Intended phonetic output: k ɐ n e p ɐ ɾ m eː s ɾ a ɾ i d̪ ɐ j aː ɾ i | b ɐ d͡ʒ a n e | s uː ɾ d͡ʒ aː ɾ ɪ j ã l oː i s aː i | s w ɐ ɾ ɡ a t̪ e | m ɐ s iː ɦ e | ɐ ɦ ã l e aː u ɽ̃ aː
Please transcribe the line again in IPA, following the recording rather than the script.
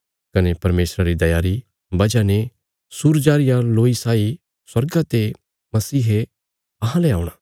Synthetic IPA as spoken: k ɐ n e p ɐ ɾ m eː s ɾ a ɾ i d̪ ɐ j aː ɾ i | b ɐ d͡ʒ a n e | s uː ɾ d͡ʒ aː ɾ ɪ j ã l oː i s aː i | s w ɐ ɾ ɡ a t̪ e | m ɐ s iː ɦ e | ɐ ɦ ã l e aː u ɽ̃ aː